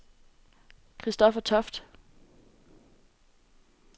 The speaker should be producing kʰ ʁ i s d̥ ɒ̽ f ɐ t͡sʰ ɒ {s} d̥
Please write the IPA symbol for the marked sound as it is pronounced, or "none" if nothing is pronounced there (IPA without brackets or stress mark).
f